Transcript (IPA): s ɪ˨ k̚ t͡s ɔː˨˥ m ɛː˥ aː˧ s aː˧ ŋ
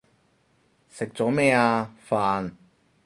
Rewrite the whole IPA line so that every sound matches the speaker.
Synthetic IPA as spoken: s ɪ˨ k̚ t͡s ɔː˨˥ m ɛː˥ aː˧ f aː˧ n